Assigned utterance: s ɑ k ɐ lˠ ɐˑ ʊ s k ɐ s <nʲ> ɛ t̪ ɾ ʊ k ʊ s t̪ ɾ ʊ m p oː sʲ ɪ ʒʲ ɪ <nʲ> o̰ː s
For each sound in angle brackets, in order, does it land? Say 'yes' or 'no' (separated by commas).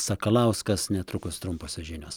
yes, yes